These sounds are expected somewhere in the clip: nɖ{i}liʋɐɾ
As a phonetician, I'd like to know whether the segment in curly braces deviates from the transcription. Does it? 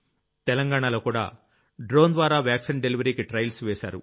yes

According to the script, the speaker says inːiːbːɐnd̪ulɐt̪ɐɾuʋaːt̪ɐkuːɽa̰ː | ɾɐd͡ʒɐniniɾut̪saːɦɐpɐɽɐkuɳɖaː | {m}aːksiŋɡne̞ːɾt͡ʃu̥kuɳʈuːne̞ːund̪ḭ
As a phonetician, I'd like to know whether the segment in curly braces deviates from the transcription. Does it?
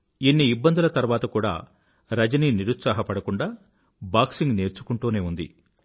yes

